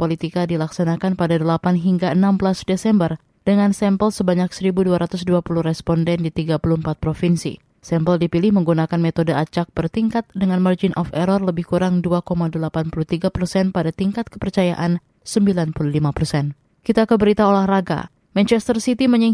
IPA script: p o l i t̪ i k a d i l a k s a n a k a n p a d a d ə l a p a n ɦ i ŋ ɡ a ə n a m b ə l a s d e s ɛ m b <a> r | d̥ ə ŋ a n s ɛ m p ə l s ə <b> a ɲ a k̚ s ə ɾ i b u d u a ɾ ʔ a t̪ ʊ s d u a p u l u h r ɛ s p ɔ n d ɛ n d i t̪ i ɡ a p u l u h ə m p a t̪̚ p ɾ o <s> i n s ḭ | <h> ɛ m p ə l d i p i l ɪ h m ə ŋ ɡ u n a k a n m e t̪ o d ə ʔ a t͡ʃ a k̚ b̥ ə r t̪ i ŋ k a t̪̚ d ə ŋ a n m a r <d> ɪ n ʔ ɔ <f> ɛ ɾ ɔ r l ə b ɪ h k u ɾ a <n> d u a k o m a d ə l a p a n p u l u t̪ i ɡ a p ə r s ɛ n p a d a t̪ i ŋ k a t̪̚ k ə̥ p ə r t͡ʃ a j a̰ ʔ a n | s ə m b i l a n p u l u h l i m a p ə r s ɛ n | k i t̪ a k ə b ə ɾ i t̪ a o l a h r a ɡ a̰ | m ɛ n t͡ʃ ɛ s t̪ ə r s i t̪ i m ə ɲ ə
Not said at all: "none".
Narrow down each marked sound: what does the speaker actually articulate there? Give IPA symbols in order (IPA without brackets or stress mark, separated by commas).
ə, b, f, s, d͡ʒ, f, ŋ